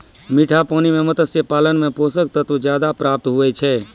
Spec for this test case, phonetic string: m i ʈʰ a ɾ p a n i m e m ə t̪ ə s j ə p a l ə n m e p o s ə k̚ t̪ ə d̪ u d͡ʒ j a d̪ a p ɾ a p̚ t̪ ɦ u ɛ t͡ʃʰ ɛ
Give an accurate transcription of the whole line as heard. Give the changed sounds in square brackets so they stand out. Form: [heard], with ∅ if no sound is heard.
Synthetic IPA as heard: m i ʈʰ a [∅] p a n i m e m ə t̪ ə s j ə p a l ə n m e p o s ə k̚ t̪ ə [t̪] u d͡ʒ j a d̪ a p ɾ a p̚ t̪ ɦ u ɛ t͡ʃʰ ɛ